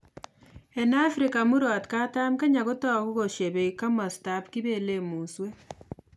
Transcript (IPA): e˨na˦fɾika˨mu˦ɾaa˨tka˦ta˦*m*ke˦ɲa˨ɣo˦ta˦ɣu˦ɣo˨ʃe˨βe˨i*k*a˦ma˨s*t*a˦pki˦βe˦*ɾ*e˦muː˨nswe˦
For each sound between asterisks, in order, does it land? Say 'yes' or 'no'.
yes, yes, yes, no

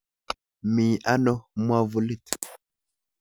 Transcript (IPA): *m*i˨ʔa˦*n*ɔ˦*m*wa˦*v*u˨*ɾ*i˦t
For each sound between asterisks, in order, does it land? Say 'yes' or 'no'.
yes, yes, yes, yes, no

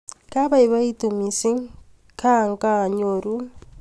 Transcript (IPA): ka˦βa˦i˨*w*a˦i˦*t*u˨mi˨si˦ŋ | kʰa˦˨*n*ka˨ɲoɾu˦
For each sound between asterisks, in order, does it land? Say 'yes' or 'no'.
no, yes, no

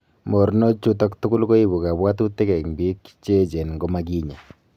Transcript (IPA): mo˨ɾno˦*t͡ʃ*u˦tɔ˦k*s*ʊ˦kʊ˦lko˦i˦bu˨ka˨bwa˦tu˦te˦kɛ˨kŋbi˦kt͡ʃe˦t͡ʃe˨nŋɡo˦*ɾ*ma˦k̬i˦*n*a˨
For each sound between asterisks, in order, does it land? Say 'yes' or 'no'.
yes, no, no, no

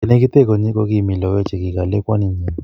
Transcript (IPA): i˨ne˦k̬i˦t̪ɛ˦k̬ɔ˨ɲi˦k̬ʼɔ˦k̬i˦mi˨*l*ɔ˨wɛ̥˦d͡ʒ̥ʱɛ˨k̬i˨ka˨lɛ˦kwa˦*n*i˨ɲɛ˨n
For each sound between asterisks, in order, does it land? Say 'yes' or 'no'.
yes, yes

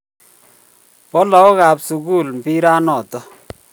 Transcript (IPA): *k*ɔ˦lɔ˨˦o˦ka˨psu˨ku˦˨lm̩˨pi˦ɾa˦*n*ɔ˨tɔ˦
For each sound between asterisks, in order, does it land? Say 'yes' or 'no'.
no, yes

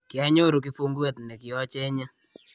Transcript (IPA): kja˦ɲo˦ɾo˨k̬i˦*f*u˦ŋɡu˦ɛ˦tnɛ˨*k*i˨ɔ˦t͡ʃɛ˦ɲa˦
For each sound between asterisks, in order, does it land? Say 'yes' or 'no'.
yes, yes

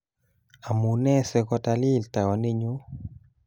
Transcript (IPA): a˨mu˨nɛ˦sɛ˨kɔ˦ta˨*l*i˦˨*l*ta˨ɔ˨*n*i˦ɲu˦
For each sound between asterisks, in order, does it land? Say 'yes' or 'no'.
yes, yes, yes

